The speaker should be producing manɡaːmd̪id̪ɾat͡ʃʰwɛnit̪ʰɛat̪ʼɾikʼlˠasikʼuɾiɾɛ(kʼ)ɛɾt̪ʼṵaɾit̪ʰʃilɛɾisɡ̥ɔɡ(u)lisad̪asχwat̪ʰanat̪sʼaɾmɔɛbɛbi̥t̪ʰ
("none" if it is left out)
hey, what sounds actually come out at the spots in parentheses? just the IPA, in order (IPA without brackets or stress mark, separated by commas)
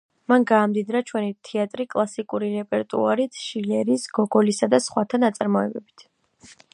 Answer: pʼ, ɔ